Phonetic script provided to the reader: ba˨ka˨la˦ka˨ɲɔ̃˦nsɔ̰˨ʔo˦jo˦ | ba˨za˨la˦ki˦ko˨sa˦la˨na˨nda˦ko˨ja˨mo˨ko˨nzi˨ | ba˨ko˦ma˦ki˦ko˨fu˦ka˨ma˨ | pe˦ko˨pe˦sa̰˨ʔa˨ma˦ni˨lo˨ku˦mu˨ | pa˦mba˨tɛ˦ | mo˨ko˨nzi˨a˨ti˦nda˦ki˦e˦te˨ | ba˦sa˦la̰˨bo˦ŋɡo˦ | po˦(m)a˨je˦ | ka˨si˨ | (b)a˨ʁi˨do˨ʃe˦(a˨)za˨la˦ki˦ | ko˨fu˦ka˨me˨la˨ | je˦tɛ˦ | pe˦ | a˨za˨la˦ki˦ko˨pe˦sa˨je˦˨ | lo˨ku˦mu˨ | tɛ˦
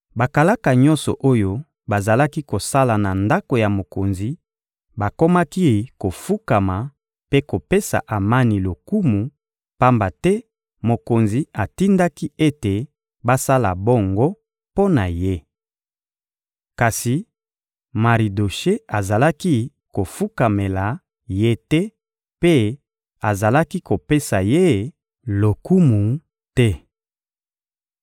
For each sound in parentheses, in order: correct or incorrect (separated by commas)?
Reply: incorrect, incorrect, correct